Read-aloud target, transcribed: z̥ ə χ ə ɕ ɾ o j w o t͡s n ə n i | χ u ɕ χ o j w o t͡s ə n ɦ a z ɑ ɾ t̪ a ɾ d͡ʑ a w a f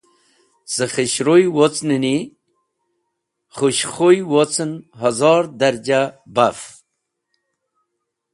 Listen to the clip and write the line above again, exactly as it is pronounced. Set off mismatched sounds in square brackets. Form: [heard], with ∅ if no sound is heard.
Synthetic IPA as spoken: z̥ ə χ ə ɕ ɾ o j w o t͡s n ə n i | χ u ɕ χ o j w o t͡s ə n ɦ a z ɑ ɾ [d̪] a ɾ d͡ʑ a [b] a f